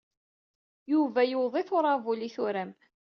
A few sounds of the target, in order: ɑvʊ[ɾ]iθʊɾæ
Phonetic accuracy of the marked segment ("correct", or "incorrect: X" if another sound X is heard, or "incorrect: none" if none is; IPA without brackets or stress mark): incorrect: l